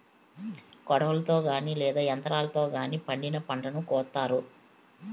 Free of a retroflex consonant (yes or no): no